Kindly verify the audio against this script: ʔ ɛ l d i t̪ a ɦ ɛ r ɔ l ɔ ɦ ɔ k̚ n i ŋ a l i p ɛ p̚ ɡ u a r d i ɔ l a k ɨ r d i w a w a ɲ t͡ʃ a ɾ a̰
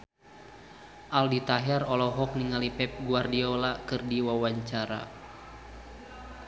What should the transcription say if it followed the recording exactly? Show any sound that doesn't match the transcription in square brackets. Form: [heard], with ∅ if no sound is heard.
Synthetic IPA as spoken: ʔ [a] l d i t̪ a ɦ ɛ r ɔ l ɔ ɦ ɔ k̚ n i ŋ a l i p ɛ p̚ ɡ u a r d i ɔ l a k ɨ r d i w a w a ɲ t͡ʃ a ɾ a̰